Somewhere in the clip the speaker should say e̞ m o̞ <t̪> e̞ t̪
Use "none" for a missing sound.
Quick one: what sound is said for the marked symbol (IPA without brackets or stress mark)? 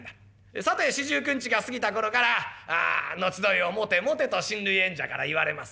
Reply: t̪